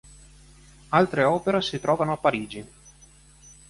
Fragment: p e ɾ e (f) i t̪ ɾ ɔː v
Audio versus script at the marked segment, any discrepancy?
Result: yes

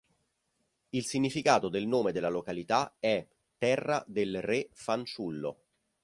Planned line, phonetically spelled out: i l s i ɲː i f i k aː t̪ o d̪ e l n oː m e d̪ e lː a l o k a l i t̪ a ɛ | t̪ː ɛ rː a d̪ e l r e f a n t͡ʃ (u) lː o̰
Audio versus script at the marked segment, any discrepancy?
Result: no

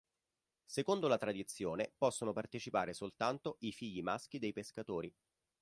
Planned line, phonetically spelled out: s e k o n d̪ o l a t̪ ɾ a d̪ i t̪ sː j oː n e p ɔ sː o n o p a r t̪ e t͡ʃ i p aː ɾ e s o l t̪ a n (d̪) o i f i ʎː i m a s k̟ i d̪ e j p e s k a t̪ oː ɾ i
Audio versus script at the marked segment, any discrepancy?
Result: yes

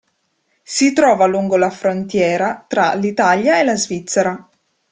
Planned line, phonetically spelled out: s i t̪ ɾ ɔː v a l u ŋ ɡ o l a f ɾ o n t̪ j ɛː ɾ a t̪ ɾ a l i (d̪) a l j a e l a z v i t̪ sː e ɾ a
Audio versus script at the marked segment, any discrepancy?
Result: yes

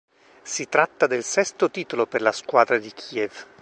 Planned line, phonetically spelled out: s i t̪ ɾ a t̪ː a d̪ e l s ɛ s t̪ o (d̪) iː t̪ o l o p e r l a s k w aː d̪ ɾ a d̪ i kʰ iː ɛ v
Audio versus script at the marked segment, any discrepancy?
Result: yes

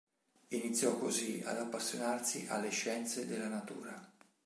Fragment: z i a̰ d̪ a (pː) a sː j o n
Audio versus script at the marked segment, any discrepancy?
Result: no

